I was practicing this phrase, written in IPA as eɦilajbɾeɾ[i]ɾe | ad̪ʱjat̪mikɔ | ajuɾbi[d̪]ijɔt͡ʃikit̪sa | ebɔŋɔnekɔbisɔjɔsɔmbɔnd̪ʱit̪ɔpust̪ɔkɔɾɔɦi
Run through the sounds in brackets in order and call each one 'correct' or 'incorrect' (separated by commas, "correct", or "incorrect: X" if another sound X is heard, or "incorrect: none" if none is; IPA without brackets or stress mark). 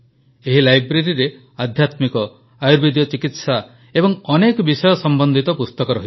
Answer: correct, correct